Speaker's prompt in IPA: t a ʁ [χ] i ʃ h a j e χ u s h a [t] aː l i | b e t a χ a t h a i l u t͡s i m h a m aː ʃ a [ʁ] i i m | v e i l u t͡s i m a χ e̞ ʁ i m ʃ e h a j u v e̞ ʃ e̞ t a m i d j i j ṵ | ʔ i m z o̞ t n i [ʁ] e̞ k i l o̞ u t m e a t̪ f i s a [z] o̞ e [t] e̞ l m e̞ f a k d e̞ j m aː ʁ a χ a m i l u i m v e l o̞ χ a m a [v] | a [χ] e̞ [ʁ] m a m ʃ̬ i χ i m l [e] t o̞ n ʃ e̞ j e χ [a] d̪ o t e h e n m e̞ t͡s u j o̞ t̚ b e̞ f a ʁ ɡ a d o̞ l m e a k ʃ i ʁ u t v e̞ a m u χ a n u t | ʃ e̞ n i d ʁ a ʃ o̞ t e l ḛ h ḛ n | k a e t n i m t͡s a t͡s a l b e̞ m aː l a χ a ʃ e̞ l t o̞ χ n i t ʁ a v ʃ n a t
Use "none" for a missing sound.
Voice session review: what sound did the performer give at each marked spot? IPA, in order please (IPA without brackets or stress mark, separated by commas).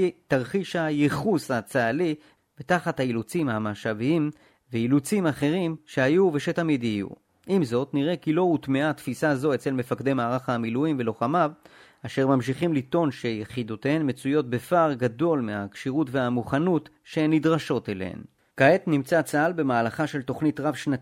χ, t͡s, v, ʁ, z, t͡s, v, ʃ, ʁ, i, i